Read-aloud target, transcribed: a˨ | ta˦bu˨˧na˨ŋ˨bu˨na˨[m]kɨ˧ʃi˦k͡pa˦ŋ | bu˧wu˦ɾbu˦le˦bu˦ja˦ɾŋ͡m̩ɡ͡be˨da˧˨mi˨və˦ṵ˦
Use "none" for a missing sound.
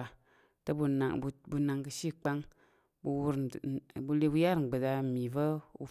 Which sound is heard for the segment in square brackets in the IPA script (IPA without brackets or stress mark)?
ŋ